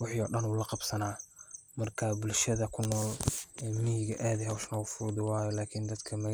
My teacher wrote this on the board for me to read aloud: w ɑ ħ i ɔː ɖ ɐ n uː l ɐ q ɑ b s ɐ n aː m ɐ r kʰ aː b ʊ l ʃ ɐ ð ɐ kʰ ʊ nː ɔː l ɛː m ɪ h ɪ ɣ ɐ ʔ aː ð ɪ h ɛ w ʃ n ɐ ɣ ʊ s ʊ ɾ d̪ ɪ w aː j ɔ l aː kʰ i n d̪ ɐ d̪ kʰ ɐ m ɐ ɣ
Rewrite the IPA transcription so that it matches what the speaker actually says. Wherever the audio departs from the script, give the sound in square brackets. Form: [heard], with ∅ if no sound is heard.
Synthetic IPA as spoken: w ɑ ħ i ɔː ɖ ɐ n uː l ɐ q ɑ b s ɐ n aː m ɐ r kʰ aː b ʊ l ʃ ɐ ð ɐ kʰ ʊ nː ɔː l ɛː m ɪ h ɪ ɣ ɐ ʔ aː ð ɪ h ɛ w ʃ n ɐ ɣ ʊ [f] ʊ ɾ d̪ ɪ w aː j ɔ l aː kʰ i n d̪ ɐ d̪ kʰ ɐ m ɐ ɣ